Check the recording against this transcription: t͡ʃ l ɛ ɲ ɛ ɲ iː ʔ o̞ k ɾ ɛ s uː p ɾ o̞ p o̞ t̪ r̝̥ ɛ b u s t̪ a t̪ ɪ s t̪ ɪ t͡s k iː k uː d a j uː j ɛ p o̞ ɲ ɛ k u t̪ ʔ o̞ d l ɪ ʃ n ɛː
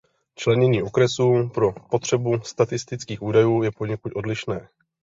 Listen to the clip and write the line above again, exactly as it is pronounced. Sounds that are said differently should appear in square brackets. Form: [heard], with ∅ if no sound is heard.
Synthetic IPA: t͡ʃ l ɛ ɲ ɛ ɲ iː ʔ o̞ k ɾ ɛ s uː p ɾ o̞ p o̞ t̪ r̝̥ ɛ b u s t̪ a t̪ ɪ s t̪ ɪ t͡s k iː [x] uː d a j uː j ɛ p o̞ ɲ ɛ k u t̪ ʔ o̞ d l ɪ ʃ n ɛː